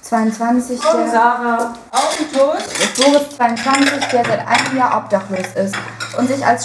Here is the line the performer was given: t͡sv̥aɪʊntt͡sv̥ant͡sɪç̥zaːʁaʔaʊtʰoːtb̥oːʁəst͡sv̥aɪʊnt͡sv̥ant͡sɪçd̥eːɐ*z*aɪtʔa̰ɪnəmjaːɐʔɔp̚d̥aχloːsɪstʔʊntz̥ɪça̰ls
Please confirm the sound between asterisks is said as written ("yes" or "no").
yes